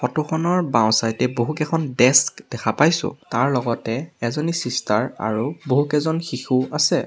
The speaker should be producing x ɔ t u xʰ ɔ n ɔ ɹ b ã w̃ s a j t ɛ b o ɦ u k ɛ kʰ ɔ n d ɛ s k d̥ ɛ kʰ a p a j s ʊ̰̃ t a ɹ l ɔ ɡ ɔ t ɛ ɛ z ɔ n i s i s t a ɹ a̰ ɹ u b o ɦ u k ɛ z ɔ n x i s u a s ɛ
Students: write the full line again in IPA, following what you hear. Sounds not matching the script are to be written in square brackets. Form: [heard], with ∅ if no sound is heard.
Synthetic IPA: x ɔ t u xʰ ɔ n ɔ ɹ b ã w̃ s a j t ɛ b o ɦ u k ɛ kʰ ɔ n d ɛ s k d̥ ɛ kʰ a p a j s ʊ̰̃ t a ɹ l ɔ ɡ ɔ t ɛ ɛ z ɔ n i s i s t a ɹ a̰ ɹ u b o ɦ u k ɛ z ɔ n x i [x] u a s ɛ